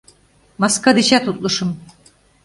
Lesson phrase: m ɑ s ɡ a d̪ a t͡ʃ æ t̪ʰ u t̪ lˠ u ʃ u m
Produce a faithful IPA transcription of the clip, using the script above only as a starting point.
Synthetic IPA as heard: m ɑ s k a d̪ i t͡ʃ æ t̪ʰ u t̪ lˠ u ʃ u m